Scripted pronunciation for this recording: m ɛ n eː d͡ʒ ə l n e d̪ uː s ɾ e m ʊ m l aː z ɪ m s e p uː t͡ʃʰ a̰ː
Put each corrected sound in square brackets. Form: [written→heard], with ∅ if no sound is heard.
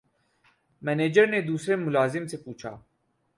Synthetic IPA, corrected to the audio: m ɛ n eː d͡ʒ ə [l→ɾ] n e d̪ uː s ɾ e m ʊ [m→∅] l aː z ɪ m s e p uː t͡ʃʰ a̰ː